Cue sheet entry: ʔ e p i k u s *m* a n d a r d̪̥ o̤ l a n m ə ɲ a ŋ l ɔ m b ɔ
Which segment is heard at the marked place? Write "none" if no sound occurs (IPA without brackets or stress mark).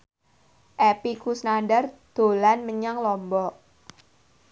n